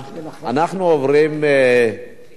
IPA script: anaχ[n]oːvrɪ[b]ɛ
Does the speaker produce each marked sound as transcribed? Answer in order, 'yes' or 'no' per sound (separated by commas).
yes, no